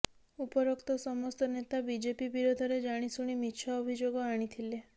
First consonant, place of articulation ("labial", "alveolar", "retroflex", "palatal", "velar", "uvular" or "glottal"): labial